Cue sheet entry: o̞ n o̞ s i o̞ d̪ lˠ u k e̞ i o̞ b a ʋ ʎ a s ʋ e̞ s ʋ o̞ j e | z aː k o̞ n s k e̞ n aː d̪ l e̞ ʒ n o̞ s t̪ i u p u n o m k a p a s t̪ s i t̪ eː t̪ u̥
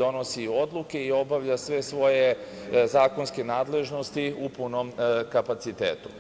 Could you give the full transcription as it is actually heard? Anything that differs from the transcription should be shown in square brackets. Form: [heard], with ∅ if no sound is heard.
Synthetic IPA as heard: o̞ n o̞ s i o̞ d̪ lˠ u k e̞ i o̞ b a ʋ ʎ a s ʋ e̞ s ʋ o̞ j e | z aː k o̞ n s k e̞ n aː d̪ l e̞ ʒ n o̞ s t̪ i u p u n o m k a p a [∅] t̪ s i t̪ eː t̪ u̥